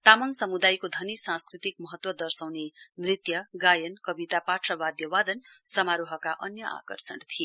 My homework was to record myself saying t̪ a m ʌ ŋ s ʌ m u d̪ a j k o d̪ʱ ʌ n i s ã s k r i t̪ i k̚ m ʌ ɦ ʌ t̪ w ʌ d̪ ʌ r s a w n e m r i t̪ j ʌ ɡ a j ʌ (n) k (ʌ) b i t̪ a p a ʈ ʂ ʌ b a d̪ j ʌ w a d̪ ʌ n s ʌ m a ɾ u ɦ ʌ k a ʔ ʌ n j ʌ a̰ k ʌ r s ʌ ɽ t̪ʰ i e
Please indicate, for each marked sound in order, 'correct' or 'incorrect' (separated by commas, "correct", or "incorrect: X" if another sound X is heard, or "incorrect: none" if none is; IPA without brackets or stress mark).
correct, correct